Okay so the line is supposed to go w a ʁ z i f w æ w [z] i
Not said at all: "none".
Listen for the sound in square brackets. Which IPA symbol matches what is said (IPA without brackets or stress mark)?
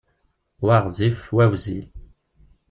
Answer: z